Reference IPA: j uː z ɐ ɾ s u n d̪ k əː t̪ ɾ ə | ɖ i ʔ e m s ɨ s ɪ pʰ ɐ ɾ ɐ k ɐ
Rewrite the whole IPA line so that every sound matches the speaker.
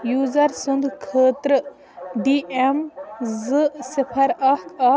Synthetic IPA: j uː z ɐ ɾ s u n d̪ kʰ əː t̪ ɾ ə | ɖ i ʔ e m z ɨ s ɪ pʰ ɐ ɾ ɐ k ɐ